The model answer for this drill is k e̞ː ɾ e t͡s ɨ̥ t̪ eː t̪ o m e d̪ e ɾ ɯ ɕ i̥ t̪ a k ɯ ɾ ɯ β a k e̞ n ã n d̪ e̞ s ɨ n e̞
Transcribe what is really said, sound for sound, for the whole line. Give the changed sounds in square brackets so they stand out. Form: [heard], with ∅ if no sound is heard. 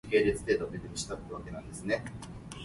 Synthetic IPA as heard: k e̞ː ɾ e t͡s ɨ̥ t̪ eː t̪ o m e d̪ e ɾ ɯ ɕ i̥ t̪ a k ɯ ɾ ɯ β a k e̞ n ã n d̪ e̞ s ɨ n e̞